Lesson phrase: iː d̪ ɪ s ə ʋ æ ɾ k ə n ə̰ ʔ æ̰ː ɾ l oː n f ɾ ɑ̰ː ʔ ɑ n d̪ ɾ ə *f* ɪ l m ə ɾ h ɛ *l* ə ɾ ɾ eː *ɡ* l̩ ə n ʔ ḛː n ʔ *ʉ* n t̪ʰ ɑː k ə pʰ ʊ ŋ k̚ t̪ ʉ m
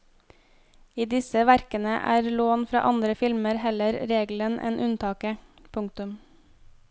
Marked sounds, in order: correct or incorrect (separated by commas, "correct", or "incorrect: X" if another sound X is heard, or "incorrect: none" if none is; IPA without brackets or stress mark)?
correct, correct, correct, correct